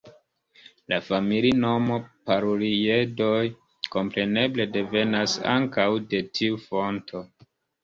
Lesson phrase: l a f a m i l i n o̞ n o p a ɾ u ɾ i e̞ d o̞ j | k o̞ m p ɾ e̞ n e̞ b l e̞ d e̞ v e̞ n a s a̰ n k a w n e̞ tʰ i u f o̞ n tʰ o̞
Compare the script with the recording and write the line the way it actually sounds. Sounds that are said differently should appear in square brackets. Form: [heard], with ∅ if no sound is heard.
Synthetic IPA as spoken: l a f a m i l i n o̞ [m] o p a ɾ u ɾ i e̞ d o̞ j | k o̞ m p ɾ e̞ n e̞ b l e̞ d e̞ v e̞ n a s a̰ [ŋ] k a w [d] e̞ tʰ i u f o̞ n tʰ o̞